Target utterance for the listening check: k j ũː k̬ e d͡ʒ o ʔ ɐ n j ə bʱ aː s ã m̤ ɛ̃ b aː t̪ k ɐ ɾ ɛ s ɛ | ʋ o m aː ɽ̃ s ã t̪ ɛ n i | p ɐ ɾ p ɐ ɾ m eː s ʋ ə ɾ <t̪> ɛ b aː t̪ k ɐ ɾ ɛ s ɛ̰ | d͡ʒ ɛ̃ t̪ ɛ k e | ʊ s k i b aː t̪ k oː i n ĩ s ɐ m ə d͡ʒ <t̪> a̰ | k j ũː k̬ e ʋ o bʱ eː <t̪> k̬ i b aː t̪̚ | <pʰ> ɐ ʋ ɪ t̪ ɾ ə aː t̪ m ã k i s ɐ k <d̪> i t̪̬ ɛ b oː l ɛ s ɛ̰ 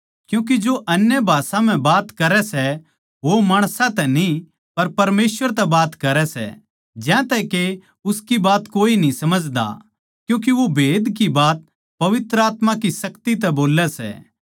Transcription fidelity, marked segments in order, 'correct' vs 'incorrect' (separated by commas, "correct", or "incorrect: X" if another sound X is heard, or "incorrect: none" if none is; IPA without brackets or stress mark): correct, incorrect: d̪, incorrect: d̪, incorrect: p, incorrect: t̪